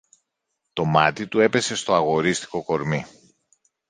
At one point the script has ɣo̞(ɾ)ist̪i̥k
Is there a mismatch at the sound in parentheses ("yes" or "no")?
no